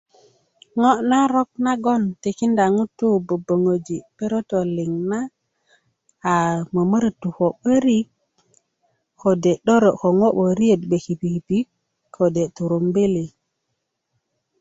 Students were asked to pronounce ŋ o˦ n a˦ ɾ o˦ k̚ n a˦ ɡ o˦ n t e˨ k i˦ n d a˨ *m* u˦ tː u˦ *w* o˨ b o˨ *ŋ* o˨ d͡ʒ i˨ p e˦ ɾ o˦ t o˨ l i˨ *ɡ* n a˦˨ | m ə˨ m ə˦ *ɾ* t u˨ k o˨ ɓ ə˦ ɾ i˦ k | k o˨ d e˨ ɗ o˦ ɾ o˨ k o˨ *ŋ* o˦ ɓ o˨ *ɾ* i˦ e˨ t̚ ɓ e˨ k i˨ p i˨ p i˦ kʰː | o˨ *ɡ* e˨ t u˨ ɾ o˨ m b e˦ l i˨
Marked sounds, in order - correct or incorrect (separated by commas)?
incorrect, incorrect, correct, incorrect, correct, correct, correct, incorrect